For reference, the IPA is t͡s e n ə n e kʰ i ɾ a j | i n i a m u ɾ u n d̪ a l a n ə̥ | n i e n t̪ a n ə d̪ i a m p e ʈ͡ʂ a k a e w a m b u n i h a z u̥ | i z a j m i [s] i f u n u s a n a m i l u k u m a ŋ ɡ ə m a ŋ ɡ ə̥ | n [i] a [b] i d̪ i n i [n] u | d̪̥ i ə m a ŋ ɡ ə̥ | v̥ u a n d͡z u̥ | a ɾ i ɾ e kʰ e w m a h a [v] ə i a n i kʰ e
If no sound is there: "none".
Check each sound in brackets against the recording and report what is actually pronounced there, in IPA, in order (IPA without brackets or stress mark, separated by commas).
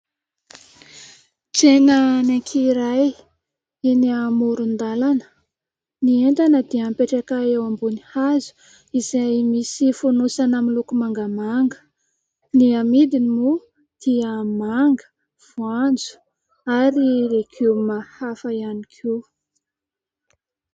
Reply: s, i, m, m, f